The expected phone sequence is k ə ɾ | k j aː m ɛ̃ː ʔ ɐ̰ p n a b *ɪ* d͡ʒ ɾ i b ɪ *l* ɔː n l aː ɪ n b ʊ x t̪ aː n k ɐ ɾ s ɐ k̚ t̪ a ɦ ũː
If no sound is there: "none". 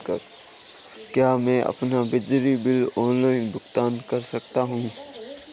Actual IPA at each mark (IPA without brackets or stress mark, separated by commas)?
ɪ, l